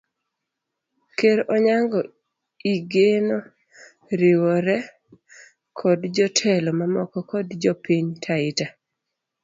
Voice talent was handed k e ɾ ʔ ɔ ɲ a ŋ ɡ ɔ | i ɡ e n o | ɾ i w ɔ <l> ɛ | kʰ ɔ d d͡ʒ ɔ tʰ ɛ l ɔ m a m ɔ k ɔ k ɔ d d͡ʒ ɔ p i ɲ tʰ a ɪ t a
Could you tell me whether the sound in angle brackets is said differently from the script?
yes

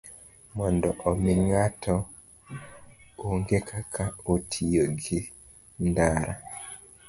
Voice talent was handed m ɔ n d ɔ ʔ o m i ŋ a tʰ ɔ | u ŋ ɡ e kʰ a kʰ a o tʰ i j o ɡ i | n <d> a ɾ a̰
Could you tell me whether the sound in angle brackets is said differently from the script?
no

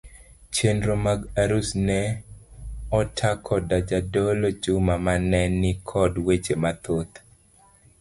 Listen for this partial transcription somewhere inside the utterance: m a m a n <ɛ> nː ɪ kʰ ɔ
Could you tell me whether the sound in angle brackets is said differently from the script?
no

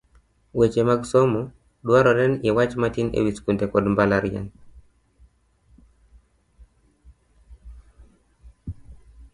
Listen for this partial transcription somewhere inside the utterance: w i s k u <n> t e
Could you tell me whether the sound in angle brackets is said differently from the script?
no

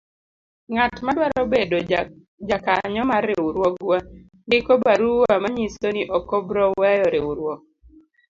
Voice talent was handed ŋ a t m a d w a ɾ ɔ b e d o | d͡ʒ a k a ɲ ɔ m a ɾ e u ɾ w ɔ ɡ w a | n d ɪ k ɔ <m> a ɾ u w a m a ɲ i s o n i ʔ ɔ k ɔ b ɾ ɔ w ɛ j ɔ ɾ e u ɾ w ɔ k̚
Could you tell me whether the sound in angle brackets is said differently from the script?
yes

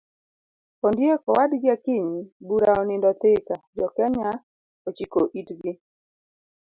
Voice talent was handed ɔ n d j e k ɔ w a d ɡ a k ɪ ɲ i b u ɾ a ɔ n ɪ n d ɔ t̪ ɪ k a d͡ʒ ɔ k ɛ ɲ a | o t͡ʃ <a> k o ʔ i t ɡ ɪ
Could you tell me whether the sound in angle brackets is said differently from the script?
yes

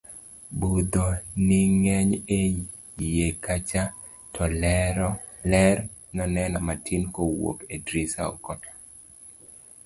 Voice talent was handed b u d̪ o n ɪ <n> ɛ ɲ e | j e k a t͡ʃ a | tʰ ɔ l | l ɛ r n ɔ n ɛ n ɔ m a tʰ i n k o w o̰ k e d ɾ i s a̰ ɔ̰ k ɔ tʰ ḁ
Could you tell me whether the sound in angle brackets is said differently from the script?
yes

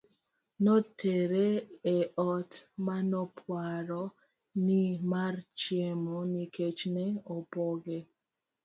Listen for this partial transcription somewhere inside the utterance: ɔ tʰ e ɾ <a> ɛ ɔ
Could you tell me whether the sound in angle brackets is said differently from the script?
yes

